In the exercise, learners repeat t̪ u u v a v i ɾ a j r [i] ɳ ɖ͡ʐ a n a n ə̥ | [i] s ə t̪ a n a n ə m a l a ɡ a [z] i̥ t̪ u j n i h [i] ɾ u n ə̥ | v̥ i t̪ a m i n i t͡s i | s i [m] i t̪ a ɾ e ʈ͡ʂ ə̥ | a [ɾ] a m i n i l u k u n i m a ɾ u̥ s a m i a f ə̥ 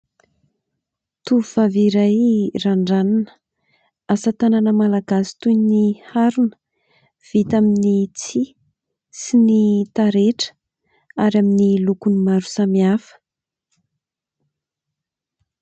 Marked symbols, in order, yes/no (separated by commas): no, no, no, no, no, yes